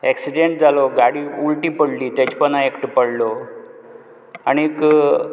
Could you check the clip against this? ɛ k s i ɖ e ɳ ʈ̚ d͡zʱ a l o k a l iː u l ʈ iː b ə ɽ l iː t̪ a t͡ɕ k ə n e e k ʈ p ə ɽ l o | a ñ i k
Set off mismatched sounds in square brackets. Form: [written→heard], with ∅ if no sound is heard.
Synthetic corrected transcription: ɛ k s i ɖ e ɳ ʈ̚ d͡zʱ a l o [k→ɡ] a [l→ɽ] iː u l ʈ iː [b→p] ə ɽ l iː t̪ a t͡ɕ [k→p] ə n [e→a] e k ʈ p ə ɽ l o | a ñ i k